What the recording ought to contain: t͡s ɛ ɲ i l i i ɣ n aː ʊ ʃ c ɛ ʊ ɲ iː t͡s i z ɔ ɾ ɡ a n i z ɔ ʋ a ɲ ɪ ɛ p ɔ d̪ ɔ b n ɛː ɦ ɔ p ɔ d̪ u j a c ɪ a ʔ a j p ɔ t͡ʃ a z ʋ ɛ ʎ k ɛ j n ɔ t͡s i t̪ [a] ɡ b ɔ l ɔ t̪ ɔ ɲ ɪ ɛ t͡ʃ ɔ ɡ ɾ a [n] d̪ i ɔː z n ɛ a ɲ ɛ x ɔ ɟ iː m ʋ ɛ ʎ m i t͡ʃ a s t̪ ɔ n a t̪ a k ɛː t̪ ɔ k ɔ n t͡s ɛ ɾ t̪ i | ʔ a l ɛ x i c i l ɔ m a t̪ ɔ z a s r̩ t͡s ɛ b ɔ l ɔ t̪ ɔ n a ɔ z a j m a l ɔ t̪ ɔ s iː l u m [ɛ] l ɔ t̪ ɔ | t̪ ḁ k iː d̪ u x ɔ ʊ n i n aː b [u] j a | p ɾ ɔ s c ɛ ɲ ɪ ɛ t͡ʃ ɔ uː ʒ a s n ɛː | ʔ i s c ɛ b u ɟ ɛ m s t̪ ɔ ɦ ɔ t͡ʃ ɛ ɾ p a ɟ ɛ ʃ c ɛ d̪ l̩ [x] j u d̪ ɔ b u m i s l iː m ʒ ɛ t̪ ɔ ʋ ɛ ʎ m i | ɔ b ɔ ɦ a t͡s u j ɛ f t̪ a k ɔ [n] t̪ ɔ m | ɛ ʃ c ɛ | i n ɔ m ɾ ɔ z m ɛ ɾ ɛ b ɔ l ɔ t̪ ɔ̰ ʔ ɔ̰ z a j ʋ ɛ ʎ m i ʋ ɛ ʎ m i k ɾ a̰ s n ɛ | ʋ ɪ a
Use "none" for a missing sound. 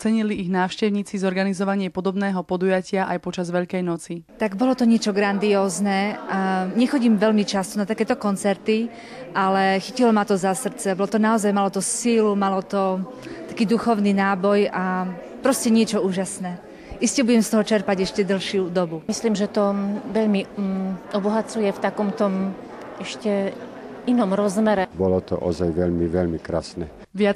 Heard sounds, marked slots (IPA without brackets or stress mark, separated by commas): a, n, a, ɔ, ʃ, m